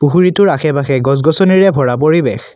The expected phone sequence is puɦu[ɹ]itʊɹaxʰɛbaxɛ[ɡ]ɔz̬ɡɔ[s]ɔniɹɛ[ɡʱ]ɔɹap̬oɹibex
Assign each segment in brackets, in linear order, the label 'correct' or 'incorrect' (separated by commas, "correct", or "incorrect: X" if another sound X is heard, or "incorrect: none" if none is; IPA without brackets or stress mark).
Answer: correct, correct, correct, incorrect: bʱ